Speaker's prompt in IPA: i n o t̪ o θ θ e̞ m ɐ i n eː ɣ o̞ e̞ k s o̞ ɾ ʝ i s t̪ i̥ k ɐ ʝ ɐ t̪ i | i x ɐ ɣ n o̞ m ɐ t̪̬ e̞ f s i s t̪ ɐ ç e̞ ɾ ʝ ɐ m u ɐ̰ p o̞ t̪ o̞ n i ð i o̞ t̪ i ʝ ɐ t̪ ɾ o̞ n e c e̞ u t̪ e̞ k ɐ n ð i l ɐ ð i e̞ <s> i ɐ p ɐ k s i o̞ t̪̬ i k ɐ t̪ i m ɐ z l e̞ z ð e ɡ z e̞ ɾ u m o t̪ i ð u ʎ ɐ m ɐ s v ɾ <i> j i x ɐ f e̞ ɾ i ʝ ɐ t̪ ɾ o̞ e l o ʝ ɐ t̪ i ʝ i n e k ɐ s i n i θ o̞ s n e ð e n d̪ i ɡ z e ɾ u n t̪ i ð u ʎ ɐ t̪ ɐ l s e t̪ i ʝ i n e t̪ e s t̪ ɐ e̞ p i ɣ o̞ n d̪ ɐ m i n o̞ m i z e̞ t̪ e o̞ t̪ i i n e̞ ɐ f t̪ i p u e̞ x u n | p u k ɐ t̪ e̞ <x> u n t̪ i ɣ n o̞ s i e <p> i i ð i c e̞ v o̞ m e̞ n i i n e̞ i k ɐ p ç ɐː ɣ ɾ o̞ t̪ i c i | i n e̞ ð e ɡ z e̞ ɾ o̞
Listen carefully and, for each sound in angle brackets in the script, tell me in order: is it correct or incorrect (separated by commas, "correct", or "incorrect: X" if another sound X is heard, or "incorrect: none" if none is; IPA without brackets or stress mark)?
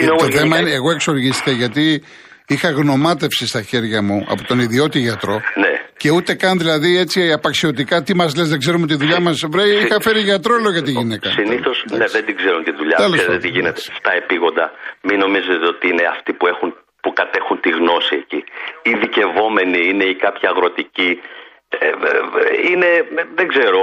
incorrect: t͡s, incorrect: e, correct, incorrect: c